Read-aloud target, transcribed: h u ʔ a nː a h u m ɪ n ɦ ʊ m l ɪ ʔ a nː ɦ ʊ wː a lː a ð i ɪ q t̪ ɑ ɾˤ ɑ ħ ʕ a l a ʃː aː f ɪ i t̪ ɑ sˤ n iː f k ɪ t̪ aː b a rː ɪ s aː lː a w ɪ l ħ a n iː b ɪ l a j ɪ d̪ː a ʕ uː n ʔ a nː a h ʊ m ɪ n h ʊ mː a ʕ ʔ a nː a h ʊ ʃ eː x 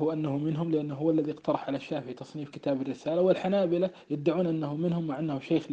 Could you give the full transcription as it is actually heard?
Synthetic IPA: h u ʔ a nː a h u m ɪ n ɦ ʊ m l ɪ ʔ a nː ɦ ʊ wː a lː a ð i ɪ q t̪ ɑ ɾˤ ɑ ħ ʕ a l a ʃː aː f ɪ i t̪ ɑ sˤ n iː f k ɪ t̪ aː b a rː ɪ s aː l a w ɪ l ħ a n aː b ɪ l a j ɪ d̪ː a ʕ uː n ʔ a nː a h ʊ m ɪ n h ʊ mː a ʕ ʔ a nː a h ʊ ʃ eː x